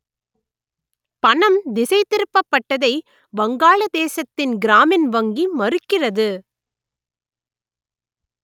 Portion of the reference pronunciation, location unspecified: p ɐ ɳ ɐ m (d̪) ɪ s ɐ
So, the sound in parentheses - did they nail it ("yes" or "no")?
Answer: yes